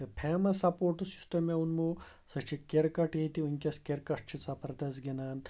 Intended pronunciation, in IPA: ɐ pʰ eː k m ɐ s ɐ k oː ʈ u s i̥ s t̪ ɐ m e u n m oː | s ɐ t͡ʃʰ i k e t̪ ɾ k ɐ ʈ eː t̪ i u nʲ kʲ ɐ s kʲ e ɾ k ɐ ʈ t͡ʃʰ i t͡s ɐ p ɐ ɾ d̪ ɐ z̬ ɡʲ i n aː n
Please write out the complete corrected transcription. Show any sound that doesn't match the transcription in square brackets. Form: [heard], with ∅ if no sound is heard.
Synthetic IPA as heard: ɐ pʰ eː [∅] m ɐ s ɐ [p] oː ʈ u s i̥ s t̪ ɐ m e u n m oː | s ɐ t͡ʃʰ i k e [∅] ɾ k ɐ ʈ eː t̪ i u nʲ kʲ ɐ s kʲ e ɾ k ɐ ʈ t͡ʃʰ i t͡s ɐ p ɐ ɾ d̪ ɐ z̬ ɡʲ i n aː n